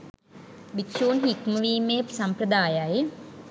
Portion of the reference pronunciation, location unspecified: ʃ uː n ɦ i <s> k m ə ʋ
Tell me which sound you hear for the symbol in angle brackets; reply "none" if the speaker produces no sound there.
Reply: none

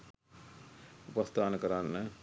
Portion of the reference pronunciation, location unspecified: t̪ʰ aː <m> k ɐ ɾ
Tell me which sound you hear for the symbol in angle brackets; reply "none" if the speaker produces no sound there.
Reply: n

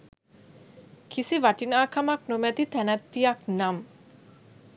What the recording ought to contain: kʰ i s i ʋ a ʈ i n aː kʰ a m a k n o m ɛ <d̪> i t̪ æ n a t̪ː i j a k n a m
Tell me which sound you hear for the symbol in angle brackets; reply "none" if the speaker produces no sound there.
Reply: t̪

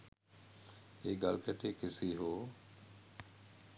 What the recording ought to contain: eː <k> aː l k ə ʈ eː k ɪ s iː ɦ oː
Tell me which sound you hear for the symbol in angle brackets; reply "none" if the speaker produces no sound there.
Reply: ɡ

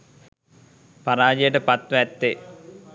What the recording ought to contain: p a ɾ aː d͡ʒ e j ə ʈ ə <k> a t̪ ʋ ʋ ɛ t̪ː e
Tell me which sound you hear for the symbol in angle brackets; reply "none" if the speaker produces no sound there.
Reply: p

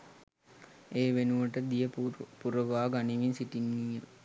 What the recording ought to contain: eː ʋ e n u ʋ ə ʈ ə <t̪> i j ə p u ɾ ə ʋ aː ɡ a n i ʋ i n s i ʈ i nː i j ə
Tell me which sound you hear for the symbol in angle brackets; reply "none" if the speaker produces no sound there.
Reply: d̪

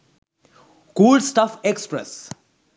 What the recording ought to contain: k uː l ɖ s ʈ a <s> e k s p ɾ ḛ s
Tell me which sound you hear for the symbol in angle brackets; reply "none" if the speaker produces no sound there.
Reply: f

